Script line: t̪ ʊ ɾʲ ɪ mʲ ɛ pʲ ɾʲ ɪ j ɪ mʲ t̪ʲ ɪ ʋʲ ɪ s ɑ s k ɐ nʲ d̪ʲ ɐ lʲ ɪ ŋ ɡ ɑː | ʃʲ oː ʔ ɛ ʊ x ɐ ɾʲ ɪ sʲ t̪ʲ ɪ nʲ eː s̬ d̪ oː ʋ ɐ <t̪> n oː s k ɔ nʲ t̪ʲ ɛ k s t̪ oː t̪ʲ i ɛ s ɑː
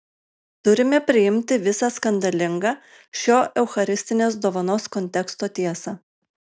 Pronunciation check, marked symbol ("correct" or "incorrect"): incorrect